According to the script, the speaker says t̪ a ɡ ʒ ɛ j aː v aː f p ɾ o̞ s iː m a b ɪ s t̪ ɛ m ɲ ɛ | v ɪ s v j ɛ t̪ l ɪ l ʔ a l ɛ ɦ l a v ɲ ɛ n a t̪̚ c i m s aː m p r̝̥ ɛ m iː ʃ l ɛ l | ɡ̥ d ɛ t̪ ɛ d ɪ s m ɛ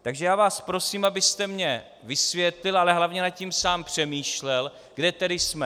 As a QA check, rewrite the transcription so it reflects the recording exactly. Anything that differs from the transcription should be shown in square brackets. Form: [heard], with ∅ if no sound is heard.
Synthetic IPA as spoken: t̪ a ɡ ʒ ɛ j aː v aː [s] p ɾ o̞ s iː m a b ɪ s t̪ ɛ m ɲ ɛ | v ɪ s v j ɛ t̪ l ɪ l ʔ a l ɛ ɦ l a v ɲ ɛ n a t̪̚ c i m s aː m p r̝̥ ɛ m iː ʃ l ɛ l | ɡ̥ d ɛ t̪ ɛ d ɪ s m ɛ